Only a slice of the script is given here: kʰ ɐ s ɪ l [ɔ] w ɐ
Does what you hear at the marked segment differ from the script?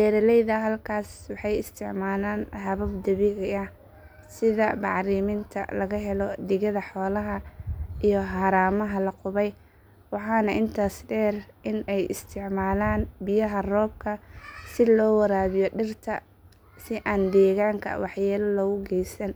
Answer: yes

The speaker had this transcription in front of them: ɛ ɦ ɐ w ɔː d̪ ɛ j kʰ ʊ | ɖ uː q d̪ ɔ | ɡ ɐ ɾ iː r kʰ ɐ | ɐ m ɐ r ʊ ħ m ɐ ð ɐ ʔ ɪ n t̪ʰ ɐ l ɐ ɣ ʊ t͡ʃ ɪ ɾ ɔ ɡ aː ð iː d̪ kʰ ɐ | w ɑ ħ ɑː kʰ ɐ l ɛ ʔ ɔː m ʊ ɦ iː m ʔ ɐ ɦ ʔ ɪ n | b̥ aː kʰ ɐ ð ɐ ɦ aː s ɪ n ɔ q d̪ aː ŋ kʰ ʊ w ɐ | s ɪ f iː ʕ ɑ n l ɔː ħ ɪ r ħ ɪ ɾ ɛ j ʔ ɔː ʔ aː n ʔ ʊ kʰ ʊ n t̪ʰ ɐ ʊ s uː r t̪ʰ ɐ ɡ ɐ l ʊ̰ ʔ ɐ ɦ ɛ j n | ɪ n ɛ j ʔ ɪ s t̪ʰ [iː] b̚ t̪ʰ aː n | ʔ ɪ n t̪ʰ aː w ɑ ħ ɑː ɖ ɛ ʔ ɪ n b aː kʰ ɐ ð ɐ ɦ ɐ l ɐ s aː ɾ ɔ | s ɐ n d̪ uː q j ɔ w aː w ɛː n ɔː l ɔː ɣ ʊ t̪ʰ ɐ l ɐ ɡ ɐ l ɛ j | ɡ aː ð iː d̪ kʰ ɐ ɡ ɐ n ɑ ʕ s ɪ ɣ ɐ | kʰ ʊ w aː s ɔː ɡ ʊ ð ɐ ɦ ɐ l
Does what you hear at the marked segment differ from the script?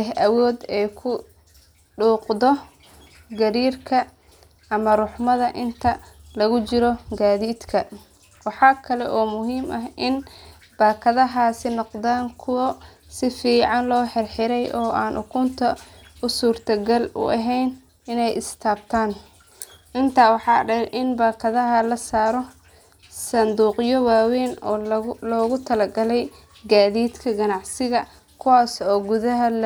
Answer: yes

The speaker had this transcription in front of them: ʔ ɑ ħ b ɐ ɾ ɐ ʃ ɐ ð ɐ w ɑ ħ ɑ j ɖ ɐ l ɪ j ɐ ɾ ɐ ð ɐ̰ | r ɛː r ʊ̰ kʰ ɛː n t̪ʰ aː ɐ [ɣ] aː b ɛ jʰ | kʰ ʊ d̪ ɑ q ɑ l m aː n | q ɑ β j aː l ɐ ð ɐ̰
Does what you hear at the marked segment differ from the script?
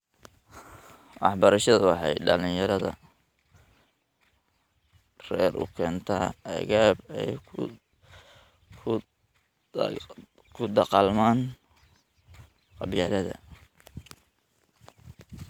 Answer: no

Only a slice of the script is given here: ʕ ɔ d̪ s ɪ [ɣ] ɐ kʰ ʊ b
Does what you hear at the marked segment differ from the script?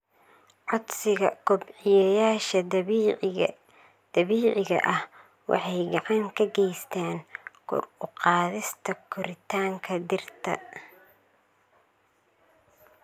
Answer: no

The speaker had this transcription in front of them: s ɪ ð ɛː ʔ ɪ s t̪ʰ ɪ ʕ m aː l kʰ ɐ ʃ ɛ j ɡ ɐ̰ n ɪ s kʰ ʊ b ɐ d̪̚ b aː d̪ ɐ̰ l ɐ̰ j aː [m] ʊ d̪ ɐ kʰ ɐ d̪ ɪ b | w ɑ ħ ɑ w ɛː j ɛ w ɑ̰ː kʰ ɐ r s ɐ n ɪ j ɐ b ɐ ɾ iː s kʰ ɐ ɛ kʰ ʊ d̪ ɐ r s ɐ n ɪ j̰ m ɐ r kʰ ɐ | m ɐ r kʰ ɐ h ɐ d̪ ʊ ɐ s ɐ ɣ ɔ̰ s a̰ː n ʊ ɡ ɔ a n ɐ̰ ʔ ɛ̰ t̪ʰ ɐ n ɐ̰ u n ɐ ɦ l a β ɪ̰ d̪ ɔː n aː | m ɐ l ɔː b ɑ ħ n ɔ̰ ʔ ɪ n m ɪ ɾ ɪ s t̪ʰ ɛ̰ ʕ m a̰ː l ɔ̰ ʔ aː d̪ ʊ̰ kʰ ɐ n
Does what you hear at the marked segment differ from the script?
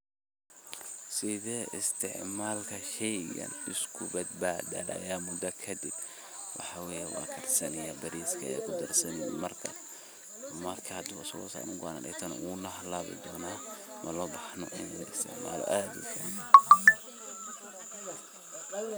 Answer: no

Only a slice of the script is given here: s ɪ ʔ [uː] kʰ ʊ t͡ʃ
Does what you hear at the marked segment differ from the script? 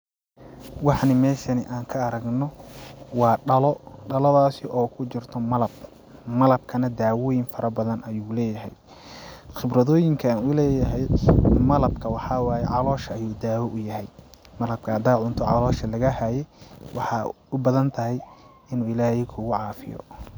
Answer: yes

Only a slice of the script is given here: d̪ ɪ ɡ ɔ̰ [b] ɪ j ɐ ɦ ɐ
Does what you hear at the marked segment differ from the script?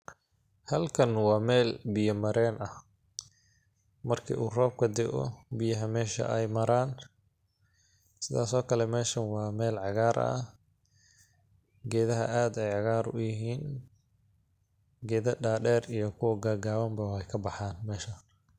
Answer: no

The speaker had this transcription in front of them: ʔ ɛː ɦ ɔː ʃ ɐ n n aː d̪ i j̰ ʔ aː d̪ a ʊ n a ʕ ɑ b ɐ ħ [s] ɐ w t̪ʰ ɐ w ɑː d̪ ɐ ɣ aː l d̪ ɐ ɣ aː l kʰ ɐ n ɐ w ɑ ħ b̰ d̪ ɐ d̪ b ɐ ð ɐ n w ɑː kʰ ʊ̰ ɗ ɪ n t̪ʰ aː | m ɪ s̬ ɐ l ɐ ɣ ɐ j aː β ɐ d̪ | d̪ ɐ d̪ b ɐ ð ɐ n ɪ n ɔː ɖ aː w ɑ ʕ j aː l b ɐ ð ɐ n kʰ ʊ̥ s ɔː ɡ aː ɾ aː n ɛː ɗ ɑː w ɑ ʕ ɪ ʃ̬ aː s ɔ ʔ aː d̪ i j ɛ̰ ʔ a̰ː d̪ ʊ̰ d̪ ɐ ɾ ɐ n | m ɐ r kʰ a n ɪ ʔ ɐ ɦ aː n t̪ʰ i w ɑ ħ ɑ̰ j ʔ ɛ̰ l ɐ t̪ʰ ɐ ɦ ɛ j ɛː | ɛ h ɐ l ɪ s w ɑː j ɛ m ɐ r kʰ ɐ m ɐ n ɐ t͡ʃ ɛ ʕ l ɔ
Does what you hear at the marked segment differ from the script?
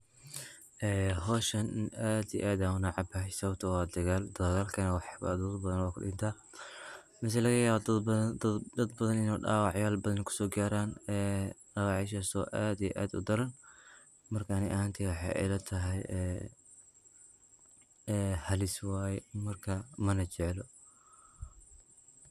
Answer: no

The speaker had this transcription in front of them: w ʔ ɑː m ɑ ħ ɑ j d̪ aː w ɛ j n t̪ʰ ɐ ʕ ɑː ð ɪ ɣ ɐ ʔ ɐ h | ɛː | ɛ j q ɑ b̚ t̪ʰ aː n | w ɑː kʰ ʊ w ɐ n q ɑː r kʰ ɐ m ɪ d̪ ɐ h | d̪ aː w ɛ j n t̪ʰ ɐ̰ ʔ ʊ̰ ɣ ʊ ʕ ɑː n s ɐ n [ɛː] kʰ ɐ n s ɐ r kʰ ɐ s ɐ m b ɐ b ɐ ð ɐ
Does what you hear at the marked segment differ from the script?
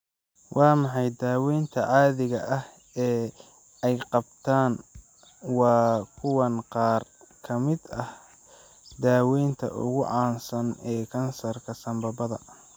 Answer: no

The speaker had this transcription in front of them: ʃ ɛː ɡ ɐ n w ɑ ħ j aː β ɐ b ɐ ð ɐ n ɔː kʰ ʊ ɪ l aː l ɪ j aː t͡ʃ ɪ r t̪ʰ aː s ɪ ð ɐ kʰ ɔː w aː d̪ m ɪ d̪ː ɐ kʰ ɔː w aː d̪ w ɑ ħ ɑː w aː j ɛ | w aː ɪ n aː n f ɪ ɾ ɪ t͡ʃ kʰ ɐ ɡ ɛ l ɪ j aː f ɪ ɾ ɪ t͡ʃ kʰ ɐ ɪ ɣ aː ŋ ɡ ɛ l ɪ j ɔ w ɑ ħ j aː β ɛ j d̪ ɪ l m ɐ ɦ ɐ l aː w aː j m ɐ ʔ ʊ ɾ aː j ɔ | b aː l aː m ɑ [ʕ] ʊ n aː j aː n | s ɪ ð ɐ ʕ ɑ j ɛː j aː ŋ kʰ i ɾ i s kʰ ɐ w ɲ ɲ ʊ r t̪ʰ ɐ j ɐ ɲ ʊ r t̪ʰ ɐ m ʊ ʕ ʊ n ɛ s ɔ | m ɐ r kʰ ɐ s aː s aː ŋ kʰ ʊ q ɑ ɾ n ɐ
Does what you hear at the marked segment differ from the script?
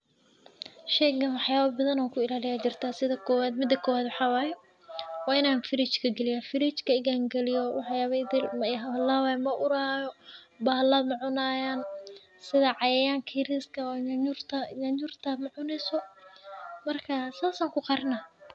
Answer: no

